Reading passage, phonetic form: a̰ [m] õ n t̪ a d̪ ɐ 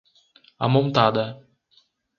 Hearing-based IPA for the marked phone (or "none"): m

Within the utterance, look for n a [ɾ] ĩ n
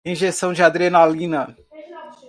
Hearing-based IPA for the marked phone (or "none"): l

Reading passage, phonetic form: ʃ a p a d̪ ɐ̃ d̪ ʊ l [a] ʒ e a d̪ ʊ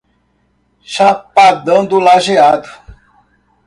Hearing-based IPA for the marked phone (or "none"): a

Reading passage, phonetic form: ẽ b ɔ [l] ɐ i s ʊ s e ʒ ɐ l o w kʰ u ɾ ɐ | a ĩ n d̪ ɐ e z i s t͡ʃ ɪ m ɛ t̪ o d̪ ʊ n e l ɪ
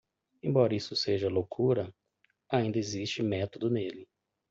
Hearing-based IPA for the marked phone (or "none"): ɾ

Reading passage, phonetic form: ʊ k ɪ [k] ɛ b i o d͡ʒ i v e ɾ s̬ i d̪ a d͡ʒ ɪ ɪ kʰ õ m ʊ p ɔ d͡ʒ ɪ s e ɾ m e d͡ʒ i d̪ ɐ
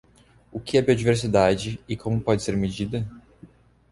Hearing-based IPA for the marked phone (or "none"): none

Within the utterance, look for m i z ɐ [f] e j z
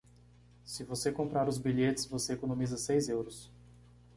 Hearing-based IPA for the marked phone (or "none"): s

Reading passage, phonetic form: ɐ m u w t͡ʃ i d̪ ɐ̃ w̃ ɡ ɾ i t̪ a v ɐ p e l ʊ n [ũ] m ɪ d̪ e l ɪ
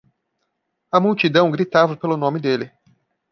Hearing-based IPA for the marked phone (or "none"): õ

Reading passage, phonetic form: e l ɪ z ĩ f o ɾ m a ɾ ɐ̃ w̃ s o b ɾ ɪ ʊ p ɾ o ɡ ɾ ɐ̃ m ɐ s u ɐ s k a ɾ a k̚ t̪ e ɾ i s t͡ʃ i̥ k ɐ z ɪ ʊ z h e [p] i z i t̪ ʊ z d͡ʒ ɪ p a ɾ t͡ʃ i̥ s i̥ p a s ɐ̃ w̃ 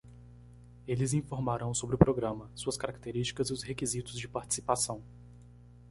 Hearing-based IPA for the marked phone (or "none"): k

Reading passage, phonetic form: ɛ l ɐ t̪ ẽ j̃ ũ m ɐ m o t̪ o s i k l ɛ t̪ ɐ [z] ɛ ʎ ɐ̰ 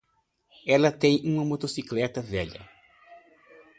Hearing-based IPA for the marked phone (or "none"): v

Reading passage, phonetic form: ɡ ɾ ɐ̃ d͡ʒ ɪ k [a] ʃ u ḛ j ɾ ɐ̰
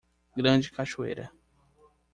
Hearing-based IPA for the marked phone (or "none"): a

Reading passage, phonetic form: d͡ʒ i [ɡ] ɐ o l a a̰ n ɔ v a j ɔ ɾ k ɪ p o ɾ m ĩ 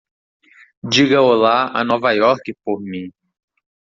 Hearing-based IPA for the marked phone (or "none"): ɡ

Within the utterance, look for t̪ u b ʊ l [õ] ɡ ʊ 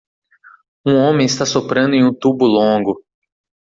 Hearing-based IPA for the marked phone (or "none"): õ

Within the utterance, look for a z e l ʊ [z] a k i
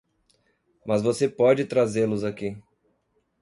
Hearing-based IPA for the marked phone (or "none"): z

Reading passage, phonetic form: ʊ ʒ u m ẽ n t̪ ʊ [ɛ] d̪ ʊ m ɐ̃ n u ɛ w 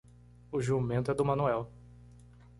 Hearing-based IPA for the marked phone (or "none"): ɛ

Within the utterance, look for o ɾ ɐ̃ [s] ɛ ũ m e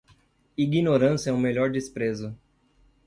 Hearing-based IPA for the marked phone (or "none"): s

